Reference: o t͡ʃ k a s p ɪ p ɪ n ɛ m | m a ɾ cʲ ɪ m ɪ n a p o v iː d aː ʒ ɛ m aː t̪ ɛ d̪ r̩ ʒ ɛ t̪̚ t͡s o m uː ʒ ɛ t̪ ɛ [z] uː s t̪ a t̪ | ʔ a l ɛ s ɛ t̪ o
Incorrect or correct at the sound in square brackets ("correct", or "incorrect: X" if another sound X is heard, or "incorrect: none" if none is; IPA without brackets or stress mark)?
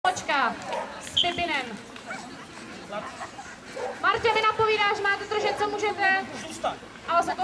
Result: correct